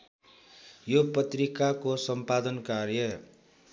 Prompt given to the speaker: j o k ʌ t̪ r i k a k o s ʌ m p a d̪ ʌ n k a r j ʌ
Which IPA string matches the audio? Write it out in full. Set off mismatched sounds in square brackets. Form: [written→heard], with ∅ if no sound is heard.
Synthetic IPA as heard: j o [k→p] ʌ t̪ r i k a k o s ʌ m p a d̪ ʌ n k a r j ʌ